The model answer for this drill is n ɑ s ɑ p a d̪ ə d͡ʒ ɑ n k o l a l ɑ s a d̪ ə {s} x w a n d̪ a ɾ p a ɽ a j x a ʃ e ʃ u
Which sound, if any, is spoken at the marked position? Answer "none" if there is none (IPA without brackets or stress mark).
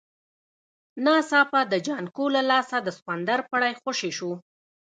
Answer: s